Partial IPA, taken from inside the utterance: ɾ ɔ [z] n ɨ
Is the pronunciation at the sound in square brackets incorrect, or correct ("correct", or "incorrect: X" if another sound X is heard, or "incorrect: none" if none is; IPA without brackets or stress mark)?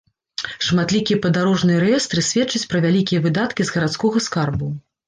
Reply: incorrect: ʐ